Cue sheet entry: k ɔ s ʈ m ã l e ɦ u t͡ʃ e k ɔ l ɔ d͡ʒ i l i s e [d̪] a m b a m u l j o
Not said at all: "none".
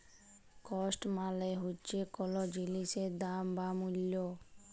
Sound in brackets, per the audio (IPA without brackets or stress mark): d̪